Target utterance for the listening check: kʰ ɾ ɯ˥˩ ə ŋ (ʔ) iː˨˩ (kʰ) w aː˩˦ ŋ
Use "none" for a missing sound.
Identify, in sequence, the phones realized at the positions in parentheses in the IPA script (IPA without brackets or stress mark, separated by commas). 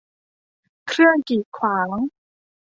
k, kʰ